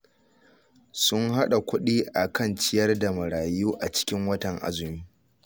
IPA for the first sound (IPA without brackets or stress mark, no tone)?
s